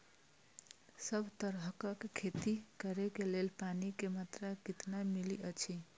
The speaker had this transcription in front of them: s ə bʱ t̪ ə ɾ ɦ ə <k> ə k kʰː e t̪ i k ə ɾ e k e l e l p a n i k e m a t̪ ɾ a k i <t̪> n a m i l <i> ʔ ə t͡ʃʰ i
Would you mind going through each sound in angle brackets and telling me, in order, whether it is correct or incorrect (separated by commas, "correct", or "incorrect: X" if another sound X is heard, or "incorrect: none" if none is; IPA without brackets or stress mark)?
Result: correct, correct, correct